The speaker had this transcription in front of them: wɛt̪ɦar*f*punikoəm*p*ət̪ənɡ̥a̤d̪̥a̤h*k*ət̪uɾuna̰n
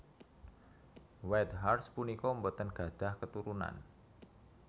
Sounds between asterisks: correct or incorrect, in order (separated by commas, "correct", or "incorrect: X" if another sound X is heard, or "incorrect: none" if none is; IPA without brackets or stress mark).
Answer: incorrect: s, incorrect: b, correct